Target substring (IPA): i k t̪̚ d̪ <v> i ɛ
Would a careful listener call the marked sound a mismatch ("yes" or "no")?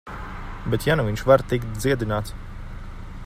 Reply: yes